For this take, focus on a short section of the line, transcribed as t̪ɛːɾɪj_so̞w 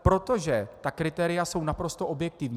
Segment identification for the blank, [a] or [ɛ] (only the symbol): a